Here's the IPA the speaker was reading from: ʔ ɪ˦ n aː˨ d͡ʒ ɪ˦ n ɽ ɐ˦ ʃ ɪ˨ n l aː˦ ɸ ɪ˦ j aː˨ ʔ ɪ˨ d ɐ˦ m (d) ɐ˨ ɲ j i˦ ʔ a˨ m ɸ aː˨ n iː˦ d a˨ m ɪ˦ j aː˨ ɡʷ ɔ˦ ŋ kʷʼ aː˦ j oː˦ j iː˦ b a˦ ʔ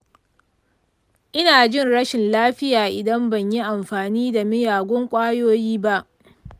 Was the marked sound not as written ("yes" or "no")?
yes